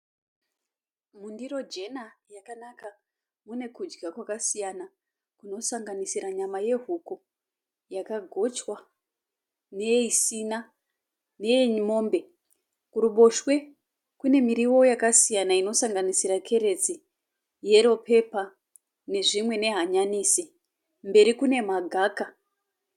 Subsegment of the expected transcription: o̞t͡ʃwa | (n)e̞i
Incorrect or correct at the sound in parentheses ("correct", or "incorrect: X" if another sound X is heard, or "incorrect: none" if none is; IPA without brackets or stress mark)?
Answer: correct